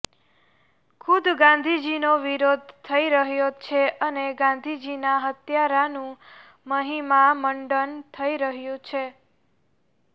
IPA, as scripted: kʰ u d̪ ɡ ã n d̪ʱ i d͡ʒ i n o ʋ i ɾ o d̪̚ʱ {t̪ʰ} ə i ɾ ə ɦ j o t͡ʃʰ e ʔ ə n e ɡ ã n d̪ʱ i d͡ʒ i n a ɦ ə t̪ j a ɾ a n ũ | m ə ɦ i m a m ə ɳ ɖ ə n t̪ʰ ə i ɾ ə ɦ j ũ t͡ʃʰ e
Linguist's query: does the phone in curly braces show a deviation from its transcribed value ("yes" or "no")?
no